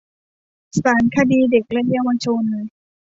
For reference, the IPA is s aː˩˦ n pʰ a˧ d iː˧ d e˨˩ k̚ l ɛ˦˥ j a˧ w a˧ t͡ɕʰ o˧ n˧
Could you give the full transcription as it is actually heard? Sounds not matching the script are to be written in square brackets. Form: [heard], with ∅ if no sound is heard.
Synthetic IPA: s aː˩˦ n [kʰ] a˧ d iː˧ d e˨˩ k̚ l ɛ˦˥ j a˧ w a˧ t͡ɕʰ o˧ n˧

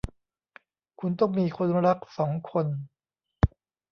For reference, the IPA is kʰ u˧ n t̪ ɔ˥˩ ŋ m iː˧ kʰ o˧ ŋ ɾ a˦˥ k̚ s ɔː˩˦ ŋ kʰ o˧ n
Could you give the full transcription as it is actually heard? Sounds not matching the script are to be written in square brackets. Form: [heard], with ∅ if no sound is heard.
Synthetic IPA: kʰ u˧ n t̪ ɔ˥˩ ŋ m iː˧ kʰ o˧ [n] ɾ a˦˥ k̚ s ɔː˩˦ ŋ kʰ o˧ n

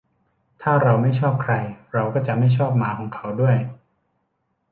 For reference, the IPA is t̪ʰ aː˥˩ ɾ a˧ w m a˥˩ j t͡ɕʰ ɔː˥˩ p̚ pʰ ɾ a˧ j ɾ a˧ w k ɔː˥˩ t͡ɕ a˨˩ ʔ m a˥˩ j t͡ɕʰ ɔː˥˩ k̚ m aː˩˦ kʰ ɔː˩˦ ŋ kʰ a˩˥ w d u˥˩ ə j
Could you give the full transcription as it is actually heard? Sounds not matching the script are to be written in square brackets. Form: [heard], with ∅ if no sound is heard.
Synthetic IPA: t̪ʰ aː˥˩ ɾ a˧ w m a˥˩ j t͡ɕʰ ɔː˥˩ p̚ [kʰ] ɾ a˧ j ɾ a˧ w k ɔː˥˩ t͡ɕ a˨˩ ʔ m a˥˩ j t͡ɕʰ ɔː˥˩ [p̚] m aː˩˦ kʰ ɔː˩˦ ŋ kʰ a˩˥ w d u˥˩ ə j

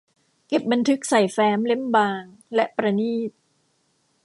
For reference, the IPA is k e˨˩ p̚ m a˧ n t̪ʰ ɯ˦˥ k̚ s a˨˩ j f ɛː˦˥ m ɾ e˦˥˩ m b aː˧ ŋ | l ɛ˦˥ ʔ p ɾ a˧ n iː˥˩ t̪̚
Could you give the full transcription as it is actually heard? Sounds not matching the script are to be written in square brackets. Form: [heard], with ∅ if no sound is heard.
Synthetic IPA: k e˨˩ p̚ [b] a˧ n t̪ʰ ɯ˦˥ k̚ s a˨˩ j f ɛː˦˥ m [l] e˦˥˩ m b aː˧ ŋ | l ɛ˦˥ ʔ p ɾ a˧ n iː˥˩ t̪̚

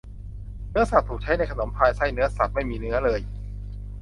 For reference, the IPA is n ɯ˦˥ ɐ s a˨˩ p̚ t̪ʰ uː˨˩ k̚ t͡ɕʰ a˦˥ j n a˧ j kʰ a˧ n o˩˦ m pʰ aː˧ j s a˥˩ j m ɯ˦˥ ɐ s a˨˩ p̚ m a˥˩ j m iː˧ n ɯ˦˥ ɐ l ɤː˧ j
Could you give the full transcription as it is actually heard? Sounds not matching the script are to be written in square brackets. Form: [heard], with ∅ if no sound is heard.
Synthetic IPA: n ɯ˦˥ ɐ s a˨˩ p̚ t̪ʰ uː˨˩ k̚ t͡ɕʰ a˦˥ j n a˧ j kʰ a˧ n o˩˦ m pʰ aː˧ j s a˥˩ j [n] ɯ˦˥ ɐ s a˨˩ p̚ m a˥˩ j m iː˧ n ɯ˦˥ ɐ l ɤː˧ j

